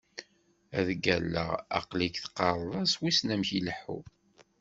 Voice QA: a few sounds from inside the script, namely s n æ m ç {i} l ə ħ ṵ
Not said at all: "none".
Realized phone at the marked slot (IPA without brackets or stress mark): i